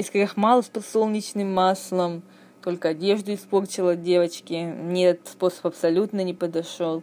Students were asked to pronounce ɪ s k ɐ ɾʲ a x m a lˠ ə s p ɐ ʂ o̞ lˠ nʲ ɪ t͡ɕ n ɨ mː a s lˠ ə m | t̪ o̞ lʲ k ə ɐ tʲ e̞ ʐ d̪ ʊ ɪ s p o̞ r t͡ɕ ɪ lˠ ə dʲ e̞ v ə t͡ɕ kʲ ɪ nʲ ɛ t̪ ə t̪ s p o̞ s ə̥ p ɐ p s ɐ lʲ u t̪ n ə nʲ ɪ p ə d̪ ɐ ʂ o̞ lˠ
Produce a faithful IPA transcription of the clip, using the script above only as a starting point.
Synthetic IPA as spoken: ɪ s k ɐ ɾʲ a x m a lˠ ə s p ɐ s o̞ lˠ nʲ ɪ t͡ɕ n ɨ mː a s lˠ ə m | t̪ o̞ lʲ k ə ɐ dʲ e̞ ʐ d̪ ʊ ɪ s p o̞ r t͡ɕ ɪ lˠ ə dʲ e̞ v ə t͡ɕ kʲ ɪ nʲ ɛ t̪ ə t̪ s p o̞ s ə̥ p ɐ p s ɐ lʲ u t̪ n ə nʲ ɪ p ə d̪ ɐ ʂ o̞ lˠ